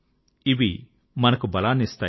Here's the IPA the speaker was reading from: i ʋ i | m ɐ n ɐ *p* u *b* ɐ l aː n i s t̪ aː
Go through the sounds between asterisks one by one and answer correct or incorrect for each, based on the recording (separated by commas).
incorrect, correct